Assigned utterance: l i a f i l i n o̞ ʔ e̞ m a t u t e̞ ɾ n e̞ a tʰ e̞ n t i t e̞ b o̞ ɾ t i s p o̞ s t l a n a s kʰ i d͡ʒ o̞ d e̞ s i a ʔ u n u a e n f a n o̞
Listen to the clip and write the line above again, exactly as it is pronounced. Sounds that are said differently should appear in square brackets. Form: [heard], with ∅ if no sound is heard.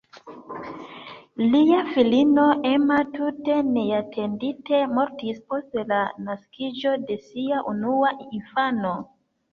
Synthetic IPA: l i a f i l i n o̞ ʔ e̞ m a t u t e̞ [∅] n e̞ a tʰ e̞ n [d] i t e̞ [m] o̞ ɾ t i s p o̞ s t l a n a s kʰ i d͡ʒ o̞ d e̞ s i a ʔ u n u a [i] n f a n o̞